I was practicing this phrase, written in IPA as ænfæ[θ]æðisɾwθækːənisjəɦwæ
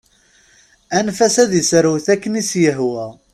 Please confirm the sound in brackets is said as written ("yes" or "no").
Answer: no